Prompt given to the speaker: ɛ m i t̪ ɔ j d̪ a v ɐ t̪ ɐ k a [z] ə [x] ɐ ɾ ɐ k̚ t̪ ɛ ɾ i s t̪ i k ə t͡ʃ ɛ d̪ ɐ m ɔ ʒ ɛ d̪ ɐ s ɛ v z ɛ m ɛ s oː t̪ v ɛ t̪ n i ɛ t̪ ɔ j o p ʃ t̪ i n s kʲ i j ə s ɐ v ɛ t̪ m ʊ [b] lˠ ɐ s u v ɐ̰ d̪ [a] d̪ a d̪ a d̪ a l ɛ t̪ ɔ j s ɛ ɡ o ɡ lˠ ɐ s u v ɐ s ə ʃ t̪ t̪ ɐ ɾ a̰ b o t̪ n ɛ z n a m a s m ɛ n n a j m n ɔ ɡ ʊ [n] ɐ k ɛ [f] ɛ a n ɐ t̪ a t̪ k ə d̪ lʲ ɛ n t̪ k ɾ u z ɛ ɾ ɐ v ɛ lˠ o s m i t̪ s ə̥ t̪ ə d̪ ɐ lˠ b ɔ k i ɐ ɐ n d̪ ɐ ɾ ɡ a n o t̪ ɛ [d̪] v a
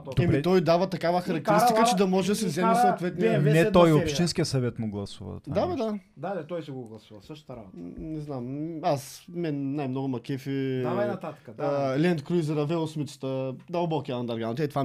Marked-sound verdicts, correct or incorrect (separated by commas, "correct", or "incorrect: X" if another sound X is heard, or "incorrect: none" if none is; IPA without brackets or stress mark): incorrect: v, correct, incorrect: ɡ, correct, incorrect: m, correct, incorrect: t̪